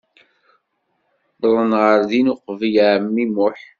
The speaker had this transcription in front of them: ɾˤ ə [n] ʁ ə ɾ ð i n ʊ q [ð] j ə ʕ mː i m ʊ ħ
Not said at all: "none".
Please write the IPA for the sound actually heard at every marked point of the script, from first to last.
n, v

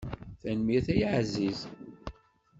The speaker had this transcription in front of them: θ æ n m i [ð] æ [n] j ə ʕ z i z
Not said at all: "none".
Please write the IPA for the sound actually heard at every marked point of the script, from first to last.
θ, none

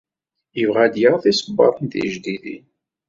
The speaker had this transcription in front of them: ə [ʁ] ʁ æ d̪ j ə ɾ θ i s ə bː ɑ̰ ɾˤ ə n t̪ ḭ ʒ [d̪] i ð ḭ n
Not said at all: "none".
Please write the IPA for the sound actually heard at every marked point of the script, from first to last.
v, d̪

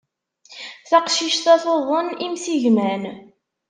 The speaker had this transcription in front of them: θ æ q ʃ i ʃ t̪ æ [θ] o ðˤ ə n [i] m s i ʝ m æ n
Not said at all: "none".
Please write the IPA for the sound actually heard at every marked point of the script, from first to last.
θ, i

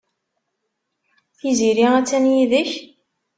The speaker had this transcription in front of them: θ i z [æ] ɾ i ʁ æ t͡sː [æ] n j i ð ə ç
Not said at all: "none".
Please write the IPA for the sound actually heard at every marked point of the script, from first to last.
i, æ

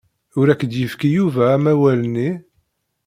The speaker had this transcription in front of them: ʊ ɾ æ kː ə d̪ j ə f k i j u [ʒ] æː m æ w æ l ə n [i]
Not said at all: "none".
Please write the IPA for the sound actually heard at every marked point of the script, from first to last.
v, i

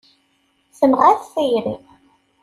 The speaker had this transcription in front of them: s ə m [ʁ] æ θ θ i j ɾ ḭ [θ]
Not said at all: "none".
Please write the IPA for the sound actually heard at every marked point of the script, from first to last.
ʁ, none

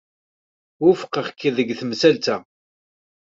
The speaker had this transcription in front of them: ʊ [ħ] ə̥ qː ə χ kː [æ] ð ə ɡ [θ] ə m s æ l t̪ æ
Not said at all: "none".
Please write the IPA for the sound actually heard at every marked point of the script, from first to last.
f, i, θ

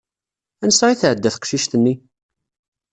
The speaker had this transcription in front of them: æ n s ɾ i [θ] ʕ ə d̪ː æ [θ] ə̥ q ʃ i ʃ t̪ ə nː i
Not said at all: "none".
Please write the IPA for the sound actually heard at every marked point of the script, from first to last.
θ, θ

